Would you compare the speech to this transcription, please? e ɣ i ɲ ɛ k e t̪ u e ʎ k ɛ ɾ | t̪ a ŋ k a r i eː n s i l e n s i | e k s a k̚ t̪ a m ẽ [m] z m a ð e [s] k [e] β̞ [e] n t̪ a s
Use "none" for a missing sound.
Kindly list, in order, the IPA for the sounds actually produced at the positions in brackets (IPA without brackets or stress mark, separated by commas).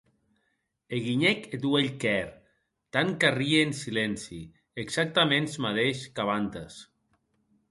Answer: n, ʃ, a, a